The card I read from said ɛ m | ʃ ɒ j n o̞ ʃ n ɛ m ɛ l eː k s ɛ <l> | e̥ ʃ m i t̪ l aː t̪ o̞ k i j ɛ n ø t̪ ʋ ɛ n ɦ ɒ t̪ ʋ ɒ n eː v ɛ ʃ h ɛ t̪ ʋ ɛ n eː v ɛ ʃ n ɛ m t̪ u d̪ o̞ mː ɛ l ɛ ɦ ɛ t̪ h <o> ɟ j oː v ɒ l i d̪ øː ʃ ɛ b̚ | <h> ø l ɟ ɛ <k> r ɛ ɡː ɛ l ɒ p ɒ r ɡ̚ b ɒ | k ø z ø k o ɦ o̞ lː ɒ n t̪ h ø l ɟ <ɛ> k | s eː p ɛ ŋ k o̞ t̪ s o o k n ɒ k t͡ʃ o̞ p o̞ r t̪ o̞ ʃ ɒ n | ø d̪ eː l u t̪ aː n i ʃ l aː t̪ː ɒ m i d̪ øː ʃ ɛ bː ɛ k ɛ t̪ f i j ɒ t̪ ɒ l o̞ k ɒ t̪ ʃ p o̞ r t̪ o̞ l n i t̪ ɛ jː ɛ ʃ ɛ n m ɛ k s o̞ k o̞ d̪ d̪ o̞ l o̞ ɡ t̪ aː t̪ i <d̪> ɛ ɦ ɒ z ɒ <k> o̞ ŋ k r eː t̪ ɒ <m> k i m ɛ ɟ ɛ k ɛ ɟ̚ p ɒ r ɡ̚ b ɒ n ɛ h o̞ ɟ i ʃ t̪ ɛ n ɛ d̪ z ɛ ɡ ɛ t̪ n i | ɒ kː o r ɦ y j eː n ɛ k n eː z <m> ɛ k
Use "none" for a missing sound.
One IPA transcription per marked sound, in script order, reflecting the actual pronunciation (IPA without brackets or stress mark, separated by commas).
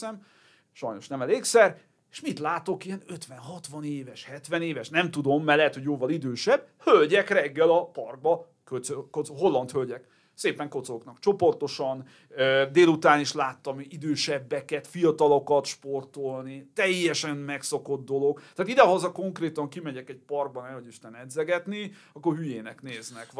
r, o, h, k, ɛ, d̪, k, ŋ, n